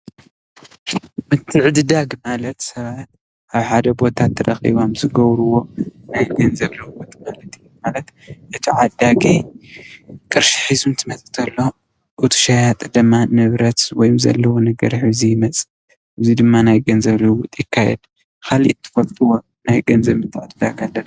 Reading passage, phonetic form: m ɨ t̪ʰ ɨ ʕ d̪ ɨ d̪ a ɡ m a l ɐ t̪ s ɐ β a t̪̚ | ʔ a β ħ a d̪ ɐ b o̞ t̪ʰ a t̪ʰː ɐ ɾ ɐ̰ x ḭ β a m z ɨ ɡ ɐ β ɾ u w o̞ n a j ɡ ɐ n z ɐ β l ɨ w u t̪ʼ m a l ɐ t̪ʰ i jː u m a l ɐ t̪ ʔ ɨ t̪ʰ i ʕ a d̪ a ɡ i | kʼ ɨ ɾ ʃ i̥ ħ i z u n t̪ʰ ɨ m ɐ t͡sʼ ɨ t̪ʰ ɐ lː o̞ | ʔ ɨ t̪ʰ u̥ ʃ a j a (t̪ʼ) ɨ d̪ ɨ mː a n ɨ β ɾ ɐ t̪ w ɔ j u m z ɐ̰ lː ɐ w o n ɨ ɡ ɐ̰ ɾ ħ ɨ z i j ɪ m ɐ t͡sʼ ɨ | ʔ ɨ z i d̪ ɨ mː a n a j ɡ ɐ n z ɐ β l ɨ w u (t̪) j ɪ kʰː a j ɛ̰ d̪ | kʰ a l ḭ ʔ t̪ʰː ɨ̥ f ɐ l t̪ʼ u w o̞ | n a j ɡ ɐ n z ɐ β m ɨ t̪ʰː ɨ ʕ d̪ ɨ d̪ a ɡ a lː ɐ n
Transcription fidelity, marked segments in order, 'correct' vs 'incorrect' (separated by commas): correct, incorrect